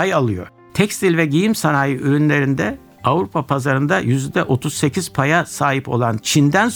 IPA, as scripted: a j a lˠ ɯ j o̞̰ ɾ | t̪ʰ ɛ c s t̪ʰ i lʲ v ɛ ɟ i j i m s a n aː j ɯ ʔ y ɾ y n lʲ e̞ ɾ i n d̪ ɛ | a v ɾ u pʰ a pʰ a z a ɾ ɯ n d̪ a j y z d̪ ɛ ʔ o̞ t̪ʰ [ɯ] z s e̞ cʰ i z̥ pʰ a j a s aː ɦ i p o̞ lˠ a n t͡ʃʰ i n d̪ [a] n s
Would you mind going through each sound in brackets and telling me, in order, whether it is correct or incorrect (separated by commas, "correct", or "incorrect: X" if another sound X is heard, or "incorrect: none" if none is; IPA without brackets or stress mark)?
incorrect: u, incorrect: æ